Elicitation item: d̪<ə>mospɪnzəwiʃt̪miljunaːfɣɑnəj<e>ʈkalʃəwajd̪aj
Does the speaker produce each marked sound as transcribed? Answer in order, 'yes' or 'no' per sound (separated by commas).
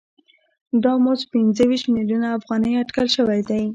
no, no